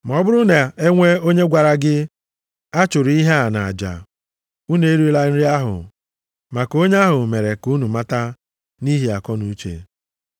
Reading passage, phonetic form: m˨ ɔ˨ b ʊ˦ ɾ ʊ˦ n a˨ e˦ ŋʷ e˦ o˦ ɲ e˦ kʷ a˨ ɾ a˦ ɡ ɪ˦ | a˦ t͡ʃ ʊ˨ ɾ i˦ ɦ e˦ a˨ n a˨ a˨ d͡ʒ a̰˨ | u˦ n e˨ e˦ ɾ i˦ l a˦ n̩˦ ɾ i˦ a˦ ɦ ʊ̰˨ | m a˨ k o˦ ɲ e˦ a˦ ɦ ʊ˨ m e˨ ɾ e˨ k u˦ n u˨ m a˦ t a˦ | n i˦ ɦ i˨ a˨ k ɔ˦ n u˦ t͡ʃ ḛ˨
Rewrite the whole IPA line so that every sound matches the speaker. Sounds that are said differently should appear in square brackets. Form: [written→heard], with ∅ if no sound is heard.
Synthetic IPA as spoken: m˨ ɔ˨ b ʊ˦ ɾ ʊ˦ n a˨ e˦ ŋʷ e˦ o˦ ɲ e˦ [kʷ→ɡʷ] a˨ ɾ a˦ ɡ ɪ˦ | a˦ t͡ʃ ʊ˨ ɾ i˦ ɦ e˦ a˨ n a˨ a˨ d͡ʒ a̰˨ | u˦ n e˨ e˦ ɾ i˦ l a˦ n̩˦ ɾ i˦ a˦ ɦ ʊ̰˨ | m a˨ k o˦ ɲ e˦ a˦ ɦ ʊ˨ m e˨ ɾ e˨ k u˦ n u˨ m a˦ t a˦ | n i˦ ɦ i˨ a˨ k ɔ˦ n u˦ t͡ʃ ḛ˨